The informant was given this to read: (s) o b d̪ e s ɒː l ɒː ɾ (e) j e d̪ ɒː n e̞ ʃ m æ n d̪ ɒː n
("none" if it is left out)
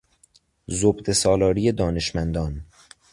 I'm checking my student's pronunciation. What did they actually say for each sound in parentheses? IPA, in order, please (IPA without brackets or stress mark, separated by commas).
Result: z, i